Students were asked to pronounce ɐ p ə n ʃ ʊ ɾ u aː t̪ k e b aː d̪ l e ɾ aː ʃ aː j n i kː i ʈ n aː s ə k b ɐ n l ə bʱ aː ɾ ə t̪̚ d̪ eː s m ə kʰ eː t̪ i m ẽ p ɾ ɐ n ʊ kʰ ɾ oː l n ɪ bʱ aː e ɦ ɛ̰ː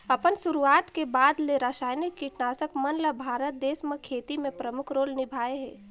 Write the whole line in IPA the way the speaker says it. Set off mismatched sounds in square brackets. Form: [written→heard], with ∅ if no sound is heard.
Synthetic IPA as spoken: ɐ p ə n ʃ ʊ ɾ u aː t̪ k e b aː d̪ l e ɾ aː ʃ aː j n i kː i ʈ n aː s ə k [b→m] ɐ n l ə bʱ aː ɾ ə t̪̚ d̪ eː s m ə kʰ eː t̪ i m ẽ p ɾ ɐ [n→m] ʊ kʰ ɾ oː l n ɪ bʱ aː e ɦ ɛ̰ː